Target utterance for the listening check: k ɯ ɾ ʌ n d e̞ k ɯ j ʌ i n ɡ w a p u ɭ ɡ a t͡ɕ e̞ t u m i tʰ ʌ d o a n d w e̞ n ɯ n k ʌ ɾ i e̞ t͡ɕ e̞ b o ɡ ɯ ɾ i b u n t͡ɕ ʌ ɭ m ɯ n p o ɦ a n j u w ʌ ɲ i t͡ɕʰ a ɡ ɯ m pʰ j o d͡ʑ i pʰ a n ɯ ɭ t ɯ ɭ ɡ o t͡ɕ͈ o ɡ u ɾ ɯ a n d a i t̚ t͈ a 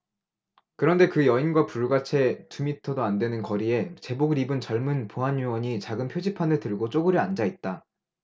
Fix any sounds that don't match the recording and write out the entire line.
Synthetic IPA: k ɯ ɾ ʌ n d e̞ k ɯ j ʌ i n ɡ w a p u ɭ ɡ a t͡ɕʰ e̞ t u m i tʰ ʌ d o a n d w e̞ n ɯ n k ʌ ɾ i e̞ t͡ɕ e̞ b o ɡ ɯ ɾ i b ɯ n t͡ɕ ʌ ɭ m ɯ n p o ɦ a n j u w ʌ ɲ i t͡ɕ a ɡ ɯ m pʰ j o d͡ʑ i pʰ a n ɯ ɭ t ɯ ɭ ɡ o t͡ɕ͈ o ɡ ɯ ɾ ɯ a n d͡ʑ a i t̚ t͈ a